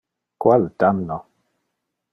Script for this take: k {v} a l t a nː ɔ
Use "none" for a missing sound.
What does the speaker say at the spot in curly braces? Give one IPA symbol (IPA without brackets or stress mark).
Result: w